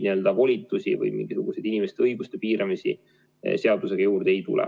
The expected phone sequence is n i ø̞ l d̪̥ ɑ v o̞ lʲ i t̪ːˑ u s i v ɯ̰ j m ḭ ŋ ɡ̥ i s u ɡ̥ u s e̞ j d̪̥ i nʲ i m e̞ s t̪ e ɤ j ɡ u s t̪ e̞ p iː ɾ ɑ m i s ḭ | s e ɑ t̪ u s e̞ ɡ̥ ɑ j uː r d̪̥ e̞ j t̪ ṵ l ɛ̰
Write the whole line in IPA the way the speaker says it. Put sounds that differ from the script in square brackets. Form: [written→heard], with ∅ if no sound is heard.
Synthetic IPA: n i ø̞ l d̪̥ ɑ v o̞ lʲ i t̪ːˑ u s i v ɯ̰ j m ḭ ŋ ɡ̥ i s u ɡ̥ u s e̞ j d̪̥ i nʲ i m e̞ s t̪ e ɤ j ɡ u s t̪ e̞ p iː ɾ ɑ m i s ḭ | s e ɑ [t̪→d̪] u s e̞ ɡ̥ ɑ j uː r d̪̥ e̞ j t̪ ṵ l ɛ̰